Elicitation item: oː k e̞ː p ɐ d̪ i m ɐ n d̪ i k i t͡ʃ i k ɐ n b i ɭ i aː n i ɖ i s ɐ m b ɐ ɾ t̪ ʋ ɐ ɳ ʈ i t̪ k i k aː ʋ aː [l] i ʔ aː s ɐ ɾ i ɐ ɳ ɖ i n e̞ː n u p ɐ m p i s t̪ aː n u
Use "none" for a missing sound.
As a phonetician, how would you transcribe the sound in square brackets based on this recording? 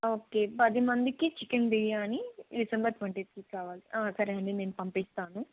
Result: l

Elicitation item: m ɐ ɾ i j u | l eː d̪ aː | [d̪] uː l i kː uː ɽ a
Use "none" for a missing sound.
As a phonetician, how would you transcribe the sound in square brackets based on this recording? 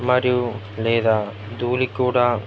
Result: d̪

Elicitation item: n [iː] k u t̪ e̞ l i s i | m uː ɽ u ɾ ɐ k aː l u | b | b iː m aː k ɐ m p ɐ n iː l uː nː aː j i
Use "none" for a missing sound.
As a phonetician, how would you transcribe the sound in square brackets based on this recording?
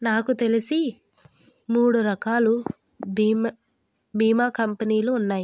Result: aː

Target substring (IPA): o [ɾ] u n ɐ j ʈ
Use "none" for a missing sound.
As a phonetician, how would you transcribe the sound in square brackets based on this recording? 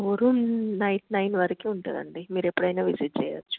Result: ɾ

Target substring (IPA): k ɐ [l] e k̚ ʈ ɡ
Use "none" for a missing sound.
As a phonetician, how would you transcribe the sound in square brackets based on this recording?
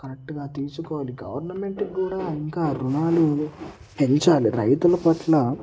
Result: ɾ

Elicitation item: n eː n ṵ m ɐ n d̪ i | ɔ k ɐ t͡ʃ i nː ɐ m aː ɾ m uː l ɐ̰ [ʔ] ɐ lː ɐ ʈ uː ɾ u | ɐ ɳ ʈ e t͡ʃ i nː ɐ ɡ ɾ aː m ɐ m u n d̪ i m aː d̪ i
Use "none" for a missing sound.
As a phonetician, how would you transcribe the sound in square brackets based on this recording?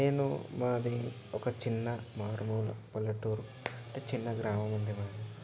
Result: p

